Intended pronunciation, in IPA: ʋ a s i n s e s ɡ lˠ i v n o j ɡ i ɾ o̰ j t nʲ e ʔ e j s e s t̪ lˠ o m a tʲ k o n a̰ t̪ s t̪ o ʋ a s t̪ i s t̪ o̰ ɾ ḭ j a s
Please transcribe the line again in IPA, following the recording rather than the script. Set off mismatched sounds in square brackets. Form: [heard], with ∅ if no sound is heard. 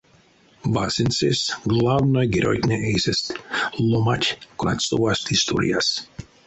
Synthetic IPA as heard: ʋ a s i n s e s ɡ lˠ [a] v n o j ɡ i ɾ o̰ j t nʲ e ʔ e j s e s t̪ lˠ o m a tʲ k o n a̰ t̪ s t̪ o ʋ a s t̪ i s t̪ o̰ ɾ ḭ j a s

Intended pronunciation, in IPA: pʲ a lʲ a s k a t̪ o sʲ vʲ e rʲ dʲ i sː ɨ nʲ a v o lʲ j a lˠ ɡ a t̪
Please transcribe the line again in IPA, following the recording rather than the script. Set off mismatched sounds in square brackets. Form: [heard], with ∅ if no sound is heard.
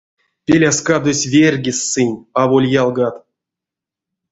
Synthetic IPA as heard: pʲ [e] lʲ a s k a [d̪] o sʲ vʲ e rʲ [ɡʲ] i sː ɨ nʲ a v o lʲ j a lˠ ɡ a t̪

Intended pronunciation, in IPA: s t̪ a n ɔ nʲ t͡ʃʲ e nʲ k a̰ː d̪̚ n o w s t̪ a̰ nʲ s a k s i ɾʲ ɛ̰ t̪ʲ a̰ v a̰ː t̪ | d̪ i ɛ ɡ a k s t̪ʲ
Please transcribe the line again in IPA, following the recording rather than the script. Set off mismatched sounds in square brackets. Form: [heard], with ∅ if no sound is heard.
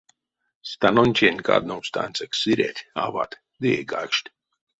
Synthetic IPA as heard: s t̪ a n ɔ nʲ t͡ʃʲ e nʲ k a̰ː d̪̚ n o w s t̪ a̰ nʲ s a k s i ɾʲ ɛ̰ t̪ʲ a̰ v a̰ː t̪ | d̪ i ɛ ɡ a k [ʃ] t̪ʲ

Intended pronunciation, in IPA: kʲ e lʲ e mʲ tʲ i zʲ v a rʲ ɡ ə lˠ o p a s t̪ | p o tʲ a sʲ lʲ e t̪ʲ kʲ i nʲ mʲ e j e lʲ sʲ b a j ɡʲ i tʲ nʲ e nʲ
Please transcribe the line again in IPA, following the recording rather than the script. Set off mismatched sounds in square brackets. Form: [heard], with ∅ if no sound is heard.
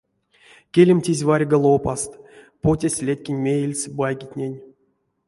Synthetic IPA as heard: kʲ e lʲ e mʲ tʲ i zʲ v a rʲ ɡ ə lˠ o p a s t̪ | p o tʲ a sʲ lʲ e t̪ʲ kʲ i nʲ mʲ e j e lʲ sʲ b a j ɡʲ i tʲ nʲ e nʲ

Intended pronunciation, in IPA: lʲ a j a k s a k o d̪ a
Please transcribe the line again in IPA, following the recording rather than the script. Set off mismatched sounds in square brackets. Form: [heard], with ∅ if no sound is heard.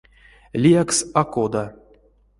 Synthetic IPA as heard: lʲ [i] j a k s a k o d̪ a

